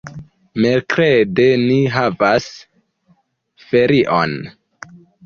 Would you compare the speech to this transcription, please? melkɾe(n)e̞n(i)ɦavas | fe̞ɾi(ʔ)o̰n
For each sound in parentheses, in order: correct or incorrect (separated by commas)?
incorrect, correct, correct